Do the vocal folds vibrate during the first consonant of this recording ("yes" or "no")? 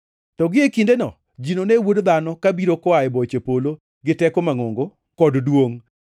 no